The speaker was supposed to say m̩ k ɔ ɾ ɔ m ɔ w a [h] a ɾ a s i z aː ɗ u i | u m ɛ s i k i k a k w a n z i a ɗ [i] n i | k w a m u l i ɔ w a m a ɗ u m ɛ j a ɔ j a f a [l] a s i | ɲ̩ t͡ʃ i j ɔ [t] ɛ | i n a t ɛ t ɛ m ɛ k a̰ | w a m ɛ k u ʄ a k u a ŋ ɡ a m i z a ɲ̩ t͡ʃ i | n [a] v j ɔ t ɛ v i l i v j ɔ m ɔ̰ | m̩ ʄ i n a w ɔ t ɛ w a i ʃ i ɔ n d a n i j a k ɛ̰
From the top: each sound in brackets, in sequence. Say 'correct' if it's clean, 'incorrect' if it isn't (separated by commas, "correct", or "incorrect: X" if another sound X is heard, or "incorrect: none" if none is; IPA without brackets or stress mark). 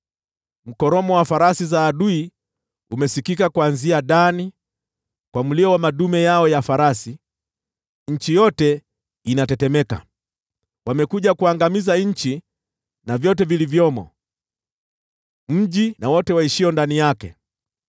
incorrect: f, incorrect: a, incorrect: ɾ, correct, correct